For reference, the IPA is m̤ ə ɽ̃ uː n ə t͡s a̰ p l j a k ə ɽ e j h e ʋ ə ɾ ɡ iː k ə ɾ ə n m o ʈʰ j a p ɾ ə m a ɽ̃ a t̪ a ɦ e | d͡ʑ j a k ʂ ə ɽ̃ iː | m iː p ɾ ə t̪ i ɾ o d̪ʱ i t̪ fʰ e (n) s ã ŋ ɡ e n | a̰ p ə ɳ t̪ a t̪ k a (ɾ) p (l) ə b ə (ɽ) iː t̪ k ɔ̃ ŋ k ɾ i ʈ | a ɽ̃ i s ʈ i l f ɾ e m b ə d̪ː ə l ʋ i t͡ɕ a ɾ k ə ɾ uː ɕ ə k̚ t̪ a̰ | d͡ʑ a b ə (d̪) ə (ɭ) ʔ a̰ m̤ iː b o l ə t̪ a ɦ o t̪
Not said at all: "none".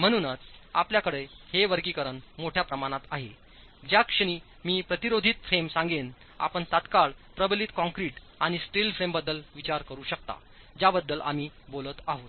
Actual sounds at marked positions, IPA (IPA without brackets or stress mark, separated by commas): m, ɭ, ɾ, l, d̪ː, l